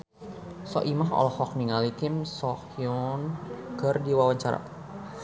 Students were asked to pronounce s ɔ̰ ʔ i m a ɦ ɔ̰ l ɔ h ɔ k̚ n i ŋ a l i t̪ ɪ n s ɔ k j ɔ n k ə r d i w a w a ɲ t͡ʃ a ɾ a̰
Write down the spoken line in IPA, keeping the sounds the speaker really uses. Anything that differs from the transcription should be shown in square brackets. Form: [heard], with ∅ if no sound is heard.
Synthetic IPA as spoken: s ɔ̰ ʔ i m a ɦ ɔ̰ l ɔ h ɔ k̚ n i ŋ a l i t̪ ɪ [m] s ɔ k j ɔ n k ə r d i w a w a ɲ t͡ʃ a ɾ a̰